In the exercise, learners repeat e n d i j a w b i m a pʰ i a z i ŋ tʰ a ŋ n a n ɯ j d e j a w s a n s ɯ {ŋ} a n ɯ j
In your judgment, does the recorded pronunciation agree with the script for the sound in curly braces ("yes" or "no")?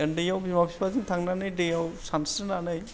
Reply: no